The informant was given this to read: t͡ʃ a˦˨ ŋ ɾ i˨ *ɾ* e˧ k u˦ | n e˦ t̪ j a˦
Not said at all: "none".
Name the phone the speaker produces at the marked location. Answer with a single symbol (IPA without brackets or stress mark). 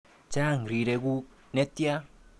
ɾ